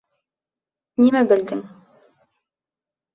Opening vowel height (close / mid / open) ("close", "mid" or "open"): close